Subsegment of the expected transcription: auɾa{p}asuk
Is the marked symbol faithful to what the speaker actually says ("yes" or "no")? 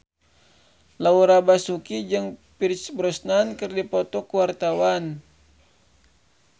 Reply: no